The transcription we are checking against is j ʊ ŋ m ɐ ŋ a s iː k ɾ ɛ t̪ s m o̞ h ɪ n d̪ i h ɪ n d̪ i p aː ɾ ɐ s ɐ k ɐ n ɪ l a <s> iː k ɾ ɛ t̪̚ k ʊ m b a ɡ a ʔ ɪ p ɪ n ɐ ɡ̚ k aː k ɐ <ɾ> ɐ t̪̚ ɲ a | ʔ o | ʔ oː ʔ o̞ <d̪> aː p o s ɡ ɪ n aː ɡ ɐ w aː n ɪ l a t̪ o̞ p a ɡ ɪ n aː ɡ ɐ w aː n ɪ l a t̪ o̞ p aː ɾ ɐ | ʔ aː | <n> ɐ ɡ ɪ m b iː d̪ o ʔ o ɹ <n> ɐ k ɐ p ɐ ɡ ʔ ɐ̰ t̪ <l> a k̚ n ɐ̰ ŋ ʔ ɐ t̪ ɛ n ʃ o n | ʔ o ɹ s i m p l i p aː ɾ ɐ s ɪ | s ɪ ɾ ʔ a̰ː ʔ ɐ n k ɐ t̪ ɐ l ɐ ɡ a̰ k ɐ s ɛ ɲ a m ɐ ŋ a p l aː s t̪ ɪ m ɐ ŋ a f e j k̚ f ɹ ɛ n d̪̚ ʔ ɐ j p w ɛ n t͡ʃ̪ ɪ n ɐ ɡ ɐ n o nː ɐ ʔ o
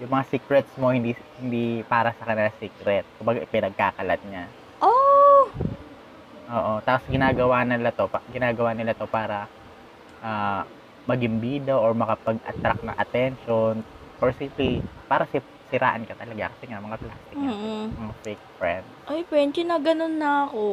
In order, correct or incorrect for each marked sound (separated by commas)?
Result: correct, incorrect, incorrect, incorrect, incorrect, incorrect